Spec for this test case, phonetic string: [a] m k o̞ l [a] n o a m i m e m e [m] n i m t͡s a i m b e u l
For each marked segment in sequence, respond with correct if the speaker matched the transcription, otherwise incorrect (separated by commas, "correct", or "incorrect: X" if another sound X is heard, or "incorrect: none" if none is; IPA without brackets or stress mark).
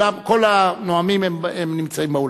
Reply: correct, correct, correct